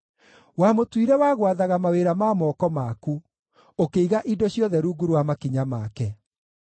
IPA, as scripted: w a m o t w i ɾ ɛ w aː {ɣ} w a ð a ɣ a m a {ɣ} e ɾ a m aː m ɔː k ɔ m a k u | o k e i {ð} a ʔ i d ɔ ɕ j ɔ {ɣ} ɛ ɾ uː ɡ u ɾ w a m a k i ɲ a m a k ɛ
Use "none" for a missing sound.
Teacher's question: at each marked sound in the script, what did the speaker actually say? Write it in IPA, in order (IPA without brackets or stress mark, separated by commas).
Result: ɣ, w, ɣ, ð